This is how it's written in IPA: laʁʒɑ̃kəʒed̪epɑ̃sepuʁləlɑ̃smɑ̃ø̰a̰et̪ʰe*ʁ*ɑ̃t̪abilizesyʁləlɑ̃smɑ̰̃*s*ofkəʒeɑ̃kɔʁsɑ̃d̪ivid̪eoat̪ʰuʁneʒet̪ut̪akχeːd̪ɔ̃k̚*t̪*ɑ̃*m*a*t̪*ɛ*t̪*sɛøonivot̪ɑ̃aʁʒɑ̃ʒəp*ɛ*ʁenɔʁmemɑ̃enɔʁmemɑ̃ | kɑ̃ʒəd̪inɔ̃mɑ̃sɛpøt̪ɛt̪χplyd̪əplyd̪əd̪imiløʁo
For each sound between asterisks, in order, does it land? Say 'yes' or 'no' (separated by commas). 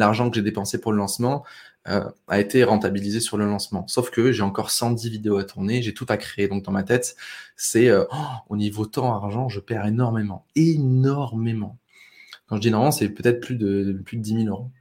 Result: yes, yes, no, yes, yes, yes, yes